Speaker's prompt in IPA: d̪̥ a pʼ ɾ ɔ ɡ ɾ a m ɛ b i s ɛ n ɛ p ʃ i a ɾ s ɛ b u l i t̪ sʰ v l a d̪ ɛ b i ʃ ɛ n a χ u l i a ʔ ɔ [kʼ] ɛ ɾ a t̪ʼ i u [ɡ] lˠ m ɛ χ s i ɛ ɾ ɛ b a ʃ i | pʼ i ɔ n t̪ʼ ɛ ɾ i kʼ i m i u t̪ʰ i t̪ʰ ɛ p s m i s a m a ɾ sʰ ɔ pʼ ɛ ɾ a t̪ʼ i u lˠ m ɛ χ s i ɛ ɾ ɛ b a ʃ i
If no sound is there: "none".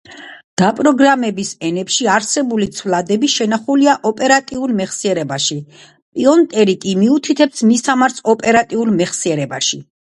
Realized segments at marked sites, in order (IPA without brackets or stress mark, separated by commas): pʼ, none